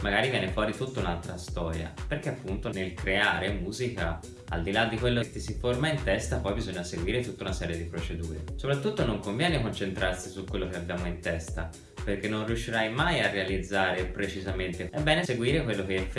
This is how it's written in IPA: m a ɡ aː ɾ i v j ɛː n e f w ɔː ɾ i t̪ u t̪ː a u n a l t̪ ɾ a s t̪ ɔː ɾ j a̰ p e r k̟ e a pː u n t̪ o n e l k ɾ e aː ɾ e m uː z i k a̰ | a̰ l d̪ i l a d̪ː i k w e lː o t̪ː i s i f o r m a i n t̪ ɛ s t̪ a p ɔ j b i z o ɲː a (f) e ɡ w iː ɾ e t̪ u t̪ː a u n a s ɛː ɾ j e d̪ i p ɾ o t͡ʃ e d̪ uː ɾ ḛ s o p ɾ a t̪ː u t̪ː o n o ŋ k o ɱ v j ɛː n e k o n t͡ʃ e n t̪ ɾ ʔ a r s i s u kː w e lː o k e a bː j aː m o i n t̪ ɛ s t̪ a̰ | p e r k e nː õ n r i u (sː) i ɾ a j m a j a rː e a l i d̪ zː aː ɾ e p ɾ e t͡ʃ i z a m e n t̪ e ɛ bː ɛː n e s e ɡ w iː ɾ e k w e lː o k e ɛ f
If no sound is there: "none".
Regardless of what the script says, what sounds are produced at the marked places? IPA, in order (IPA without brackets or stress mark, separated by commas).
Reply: s, ʃː